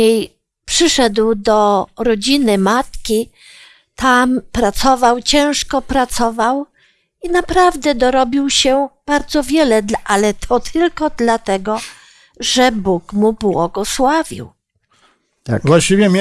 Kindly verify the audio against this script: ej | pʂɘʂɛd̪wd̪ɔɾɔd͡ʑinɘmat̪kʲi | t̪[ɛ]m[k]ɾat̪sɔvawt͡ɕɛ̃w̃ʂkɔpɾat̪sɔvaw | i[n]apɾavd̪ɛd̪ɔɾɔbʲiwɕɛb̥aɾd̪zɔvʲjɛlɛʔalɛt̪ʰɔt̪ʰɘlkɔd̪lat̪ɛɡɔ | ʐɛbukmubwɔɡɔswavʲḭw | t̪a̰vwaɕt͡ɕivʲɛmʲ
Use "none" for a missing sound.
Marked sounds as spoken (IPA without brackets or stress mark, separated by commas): a, p, n